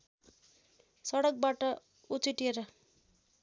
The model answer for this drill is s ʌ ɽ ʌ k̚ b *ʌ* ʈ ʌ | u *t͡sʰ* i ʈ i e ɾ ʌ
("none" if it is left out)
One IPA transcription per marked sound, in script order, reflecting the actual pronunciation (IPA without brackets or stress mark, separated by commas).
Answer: a, t͡s